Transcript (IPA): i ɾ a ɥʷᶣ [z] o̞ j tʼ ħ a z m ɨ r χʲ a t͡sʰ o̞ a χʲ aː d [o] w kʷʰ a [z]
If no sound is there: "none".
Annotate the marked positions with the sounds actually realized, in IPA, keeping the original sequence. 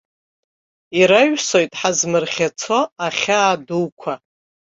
s, u, none

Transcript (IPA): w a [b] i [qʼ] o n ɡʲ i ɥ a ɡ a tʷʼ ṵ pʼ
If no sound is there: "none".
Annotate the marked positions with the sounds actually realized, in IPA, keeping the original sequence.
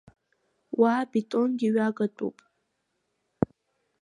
b, tʼ

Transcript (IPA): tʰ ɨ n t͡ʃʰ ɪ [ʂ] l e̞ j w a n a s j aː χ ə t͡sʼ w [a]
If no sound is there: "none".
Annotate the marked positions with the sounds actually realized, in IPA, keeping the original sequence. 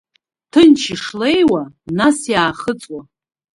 ʂ, a

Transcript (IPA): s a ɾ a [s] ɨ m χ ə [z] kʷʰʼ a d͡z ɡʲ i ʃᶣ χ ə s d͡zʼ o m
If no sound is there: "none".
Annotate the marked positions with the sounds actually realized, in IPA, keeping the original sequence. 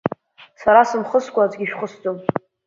s, s

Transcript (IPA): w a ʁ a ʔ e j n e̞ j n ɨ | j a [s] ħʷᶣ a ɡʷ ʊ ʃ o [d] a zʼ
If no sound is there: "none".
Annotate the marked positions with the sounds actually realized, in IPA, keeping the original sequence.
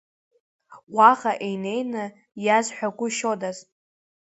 z, d

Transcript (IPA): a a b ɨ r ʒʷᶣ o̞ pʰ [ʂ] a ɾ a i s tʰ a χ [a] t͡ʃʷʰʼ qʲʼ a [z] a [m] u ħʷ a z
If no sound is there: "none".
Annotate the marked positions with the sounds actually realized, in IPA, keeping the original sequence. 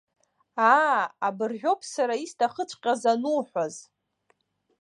s, ə, z, n

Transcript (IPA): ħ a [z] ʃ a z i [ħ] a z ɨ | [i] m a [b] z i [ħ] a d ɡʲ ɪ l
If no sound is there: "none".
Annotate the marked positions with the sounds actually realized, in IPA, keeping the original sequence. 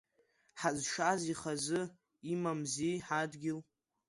z, χ, i, m, ħ

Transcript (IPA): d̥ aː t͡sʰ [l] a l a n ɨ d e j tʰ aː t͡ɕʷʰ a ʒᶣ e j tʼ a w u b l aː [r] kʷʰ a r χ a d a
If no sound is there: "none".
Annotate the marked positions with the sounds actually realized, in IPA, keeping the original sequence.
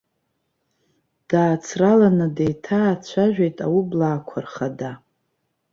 r, none

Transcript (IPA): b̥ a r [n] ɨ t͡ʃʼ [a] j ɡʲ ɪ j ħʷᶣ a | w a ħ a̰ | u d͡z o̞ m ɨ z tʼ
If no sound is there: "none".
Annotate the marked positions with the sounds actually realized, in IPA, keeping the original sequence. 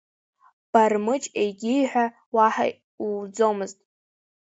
m, e

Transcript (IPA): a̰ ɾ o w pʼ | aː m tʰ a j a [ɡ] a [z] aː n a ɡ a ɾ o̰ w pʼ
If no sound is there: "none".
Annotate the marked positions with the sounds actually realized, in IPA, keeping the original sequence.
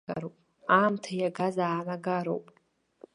ɡ, z

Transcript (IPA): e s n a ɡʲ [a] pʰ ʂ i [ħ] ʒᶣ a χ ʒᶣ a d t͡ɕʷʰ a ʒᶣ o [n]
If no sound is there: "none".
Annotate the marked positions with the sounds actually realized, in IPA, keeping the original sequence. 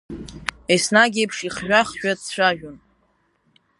e, χ, n

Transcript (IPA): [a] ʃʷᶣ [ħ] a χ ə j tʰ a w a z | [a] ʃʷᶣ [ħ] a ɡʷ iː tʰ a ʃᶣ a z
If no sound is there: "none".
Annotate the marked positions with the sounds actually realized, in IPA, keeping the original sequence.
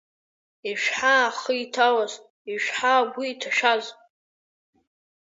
i, ħ, i, ħ

